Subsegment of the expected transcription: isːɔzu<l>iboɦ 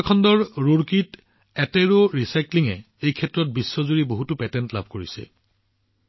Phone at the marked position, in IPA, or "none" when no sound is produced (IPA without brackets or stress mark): ɹ